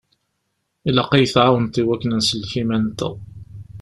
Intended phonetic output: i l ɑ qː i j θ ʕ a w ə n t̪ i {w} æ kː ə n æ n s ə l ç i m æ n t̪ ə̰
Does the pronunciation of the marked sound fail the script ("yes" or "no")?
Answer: no